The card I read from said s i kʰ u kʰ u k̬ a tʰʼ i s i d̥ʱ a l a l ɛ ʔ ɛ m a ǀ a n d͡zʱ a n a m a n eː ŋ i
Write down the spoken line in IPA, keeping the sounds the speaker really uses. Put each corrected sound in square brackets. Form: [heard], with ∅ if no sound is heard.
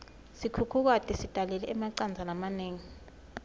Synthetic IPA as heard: s i kʰ u kʰ u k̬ a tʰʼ i s i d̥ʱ a l [ɛ] l ɛ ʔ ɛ m a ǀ a n d͡zʱ a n a m a n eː ŋ i